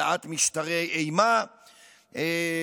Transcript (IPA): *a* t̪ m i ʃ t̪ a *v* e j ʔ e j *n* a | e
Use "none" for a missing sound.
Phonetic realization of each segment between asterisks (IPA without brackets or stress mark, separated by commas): a, ʁ, m